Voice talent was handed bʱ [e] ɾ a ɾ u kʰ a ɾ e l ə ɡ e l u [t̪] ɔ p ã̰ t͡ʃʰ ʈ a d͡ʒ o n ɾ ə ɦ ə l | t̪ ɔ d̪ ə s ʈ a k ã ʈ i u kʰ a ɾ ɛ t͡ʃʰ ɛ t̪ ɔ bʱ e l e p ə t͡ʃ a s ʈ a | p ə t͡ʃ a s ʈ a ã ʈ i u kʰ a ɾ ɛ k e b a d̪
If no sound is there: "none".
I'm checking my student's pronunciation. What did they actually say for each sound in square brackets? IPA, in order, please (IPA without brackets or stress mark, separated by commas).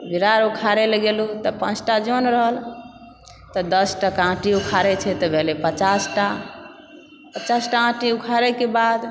i, t̪